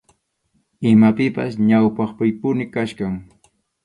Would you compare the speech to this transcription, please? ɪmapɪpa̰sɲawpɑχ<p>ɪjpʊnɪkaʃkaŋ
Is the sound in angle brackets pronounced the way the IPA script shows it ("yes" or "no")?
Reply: yes